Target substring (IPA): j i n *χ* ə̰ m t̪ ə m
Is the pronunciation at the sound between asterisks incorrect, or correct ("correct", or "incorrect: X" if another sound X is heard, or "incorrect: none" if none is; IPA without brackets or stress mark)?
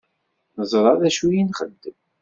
correct